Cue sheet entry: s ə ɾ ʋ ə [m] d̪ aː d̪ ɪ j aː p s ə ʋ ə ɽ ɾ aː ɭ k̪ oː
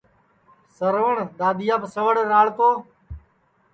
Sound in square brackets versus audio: incorrect: ɳ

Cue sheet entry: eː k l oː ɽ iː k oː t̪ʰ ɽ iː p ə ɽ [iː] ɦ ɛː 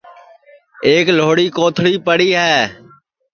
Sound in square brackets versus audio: correct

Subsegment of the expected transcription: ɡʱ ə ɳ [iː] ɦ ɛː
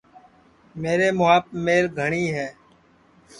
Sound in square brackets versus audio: correct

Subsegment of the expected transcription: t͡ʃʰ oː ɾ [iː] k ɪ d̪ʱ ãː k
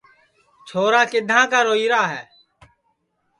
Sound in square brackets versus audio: incorrect: aː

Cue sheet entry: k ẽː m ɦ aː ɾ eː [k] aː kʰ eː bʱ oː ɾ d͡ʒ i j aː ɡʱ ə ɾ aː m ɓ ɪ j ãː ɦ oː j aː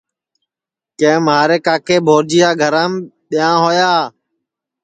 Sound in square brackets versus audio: correct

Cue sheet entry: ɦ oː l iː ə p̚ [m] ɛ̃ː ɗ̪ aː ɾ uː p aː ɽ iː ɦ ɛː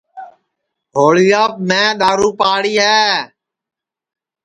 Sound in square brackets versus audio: correct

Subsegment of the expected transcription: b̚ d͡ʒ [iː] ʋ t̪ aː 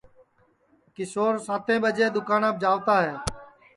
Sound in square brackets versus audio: incorrect: aː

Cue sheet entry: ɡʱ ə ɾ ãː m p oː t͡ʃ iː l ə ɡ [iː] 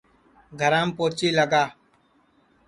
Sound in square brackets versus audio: incorrect: aː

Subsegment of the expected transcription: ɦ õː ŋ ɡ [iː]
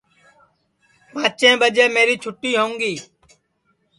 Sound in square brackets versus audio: correct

